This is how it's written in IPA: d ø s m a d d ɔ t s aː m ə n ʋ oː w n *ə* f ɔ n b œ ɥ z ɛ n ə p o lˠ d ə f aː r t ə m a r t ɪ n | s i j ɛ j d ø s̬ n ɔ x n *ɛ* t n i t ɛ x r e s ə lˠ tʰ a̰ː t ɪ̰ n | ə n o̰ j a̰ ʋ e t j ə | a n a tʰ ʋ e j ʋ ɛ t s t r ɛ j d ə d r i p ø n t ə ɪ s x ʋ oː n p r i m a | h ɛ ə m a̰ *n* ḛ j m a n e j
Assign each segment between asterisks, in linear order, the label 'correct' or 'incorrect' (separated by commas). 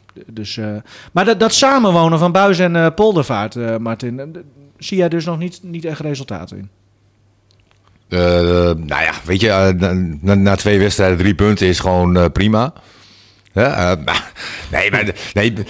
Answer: correct, incorrect, correct